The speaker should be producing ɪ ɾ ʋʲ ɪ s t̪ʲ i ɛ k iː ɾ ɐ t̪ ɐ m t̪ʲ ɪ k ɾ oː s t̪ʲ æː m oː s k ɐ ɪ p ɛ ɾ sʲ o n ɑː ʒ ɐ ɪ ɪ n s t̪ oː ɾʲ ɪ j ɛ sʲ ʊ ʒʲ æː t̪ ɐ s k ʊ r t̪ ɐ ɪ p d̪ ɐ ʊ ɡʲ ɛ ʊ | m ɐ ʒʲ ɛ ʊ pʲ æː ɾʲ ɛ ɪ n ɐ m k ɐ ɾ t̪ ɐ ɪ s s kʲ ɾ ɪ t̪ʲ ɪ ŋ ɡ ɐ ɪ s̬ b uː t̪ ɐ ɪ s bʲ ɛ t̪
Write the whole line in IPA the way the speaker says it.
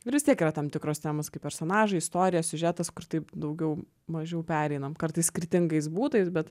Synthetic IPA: ɪ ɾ ʋʲ ɪ s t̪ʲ i ɛ k iː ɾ ɐ t̪ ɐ m t̪ʲ ɪ k ɾ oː s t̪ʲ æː m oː s k ɐ ɪ p ɛ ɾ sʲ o n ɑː ʒ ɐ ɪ ɪ s t̪ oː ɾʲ ɪ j ɛ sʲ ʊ ʒʲ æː t̪ ɐ s k ʊ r t̪ ɐ ɪ p d̪ ɐ ʊ ɡʲ ɛ ʊ | m ɐ ʒʲ ɛ ʊ pʲ æː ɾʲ ɛ ɪ n ɐ m k ɐ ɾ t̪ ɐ ɪ s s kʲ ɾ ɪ t̪ʲ ɪ ŋ ɡ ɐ ɪ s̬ b uː t̪ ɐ ɪ s bʲ ɛ t̪